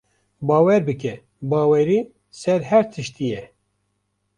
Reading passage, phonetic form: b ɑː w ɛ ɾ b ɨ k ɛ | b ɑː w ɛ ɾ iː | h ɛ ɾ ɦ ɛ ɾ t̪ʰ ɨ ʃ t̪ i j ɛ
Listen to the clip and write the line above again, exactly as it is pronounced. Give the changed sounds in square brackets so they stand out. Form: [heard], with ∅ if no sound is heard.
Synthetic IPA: b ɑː w ɛ ɾ b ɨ k ɛ | b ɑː w ɛ ɾ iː | [s] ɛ ɾ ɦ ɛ ɾ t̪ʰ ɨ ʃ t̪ i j ɛ